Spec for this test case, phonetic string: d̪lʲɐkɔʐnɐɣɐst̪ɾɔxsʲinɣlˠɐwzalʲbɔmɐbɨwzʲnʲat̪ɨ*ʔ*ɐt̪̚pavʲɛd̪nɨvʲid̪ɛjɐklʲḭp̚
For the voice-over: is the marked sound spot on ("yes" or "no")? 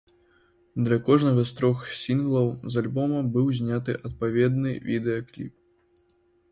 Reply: yes